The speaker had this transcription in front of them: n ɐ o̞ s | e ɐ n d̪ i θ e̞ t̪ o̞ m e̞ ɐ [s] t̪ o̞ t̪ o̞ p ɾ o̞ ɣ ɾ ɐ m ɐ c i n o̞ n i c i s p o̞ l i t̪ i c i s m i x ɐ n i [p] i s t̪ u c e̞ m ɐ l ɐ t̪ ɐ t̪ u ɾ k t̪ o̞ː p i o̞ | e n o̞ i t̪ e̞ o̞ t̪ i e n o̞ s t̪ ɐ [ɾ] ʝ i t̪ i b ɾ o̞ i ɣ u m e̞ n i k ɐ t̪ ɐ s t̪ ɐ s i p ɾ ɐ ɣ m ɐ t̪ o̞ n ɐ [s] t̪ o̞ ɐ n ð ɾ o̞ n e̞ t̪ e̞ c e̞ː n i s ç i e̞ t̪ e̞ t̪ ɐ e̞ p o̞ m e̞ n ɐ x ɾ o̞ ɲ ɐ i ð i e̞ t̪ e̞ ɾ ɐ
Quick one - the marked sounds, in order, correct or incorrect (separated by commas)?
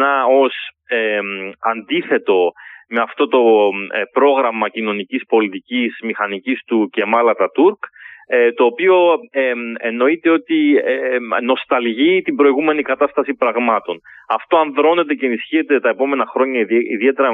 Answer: incorrect, incorrect, incorrect, incorrect